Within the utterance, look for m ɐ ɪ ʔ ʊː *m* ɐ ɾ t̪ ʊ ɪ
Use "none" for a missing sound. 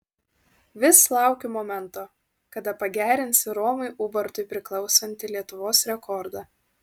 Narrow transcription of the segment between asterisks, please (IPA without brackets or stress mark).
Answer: b